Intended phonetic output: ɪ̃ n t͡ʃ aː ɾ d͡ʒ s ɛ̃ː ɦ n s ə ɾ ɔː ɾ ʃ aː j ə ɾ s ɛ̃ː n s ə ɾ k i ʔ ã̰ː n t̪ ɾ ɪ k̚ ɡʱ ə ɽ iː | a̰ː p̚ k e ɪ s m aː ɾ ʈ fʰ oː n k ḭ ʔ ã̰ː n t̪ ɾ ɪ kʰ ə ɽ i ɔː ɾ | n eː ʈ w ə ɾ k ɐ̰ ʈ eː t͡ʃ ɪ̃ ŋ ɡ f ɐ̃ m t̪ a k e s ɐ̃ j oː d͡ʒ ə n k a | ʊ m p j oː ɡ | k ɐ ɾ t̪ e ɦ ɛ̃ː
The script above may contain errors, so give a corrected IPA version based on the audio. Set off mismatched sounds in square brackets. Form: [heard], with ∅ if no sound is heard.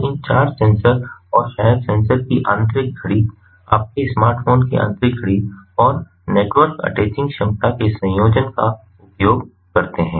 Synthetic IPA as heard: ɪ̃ n t͡ʃ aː ɾ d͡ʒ s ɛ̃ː [∅] n s ə ɾ ɔː ɾ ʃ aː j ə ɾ s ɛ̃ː n s ə ɾ k i ʔ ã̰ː n t̪ ɾ ɪ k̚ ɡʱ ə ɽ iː | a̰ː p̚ k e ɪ s m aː ɾ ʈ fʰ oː n k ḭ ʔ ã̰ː n t̪ ɾ ɪ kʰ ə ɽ i ɔː ɾ | n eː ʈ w ə ɾ k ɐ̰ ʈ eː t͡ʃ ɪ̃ ŋ ɡ [ʃ] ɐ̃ m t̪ a k e s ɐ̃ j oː d͡ʒ ə n k a | ʊ [∅] p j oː ɡ | k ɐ ɾ t̪ e ɦ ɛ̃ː